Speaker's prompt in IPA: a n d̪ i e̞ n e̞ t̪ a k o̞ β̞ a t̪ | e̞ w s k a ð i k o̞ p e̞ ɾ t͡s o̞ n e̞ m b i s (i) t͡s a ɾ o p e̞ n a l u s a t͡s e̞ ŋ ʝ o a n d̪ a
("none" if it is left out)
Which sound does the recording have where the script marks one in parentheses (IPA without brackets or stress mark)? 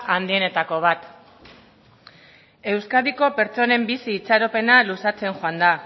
iː